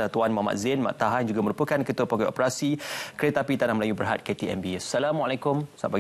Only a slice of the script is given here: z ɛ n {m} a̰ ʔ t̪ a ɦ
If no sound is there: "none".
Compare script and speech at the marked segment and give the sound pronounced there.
m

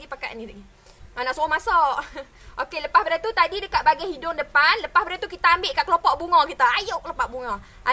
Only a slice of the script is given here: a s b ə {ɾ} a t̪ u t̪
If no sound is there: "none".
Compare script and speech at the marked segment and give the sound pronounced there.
ɾ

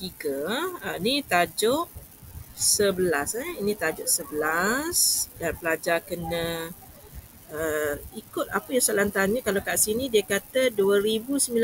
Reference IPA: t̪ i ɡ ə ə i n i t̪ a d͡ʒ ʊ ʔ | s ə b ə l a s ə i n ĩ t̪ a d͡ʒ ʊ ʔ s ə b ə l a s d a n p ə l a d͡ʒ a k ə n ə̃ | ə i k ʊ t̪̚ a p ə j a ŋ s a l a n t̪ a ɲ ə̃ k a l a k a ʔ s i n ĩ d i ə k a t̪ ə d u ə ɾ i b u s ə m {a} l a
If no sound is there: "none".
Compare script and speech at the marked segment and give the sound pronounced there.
i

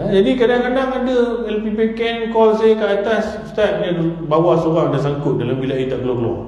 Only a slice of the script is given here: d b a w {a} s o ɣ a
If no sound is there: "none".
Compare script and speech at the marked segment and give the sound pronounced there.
a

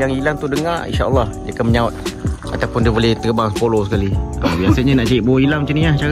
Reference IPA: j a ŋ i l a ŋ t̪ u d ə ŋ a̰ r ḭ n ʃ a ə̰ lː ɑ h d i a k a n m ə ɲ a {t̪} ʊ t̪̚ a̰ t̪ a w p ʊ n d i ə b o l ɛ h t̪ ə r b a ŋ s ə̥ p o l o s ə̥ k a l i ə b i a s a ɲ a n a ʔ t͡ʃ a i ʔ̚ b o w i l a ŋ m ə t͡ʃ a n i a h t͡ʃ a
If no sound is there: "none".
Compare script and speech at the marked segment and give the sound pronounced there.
none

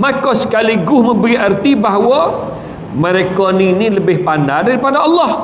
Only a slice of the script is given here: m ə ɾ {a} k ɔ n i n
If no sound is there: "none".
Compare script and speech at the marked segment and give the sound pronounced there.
e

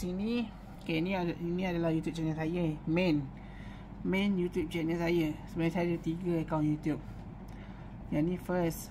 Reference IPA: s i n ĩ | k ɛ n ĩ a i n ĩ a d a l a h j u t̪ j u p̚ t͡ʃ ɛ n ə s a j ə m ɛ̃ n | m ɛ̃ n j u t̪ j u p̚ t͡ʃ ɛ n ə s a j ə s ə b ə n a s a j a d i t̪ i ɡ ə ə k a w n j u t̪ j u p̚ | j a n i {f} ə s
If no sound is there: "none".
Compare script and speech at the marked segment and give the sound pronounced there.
f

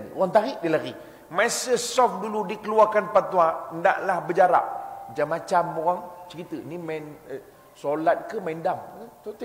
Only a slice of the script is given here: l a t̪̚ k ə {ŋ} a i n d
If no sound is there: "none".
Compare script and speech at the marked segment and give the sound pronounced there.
m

